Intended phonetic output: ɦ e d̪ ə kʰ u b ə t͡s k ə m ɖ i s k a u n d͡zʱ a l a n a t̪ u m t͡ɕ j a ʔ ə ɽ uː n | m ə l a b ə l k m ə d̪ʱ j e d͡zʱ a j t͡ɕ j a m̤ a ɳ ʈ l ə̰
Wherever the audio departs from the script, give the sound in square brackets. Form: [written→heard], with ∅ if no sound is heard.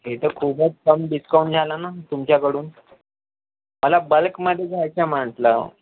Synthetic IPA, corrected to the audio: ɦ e [d̪→t̪] ə kʰ u b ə t͡s k ə m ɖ i s k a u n d͡zʱ a l a n a t̪ u m t͡ɕ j a [ʔ→k] ə ɽ uː n | m ə l a b ə l k m ə d̪ʱ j e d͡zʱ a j t͡ɕ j a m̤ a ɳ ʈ l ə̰